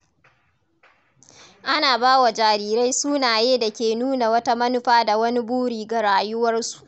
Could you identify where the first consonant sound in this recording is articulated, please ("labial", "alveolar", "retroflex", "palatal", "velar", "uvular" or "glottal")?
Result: glottal